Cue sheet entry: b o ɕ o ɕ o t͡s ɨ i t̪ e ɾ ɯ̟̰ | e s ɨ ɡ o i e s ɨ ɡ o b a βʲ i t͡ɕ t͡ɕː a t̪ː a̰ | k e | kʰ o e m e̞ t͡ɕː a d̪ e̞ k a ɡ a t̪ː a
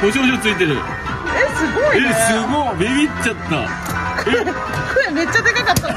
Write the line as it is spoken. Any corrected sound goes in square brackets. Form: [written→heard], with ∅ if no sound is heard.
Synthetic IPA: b o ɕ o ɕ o t͡s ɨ i t̪ e ɾ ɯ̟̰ | e s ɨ ɡ o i e s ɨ ɡ o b [a→e] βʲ i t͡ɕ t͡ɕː a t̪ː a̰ | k e | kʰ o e m e̞ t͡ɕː a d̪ e̞ k a [ɡ→k] a t̪ː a